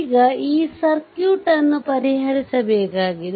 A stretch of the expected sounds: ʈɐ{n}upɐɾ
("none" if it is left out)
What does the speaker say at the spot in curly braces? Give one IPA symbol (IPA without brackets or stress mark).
nː